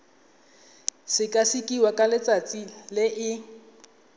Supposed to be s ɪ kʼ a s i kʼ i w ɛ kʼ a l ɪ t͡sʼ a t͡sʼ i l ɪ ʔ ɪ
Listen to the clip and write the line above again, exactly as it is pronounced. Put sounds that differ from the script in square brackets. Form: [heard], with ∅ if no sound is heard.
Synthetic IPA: s ɪ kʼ a s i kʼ i w [a] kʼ a l ɪ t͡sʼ a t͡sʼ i l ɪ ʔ ɪ